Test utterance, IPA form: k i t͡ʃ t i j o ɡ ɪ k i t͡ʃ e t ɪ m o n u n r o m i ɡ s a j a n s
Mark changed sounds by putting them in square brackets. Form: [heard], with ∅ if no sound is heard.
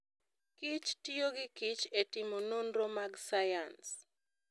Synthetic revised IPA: k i t͡ʃ t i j o ɡ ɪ k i t͡ʃ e t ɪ m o n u n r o m [a] ɡ s a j a n s